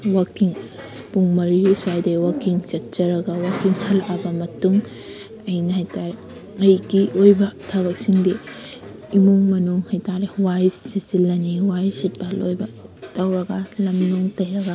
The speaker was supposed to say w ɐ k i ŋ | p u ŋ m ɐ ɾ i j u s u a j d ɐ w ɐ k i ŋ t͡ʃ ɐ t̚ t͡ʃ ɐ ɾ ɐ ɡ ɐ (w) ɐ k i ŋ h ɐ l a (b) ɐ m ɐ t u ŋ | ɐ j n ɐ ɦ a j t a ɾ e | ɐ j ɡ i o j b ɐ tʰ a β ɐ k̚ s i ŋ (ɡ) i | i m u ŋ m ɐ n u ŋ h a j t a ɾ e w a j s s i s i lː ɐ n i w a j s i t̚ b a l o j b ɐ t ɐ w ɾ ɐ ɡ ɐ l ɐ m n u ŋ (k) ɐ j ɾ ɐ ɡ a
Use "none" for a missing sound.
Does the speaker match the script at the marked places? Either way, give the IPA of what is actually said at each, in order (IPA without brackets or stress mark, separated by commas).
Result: w, b, d, t